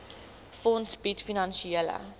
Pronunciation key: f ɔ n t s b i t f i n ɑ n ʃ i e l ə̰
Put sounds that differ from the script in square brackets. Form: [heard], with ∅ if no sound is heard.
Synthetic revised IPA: f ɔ n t s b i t f i n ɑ n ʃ i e l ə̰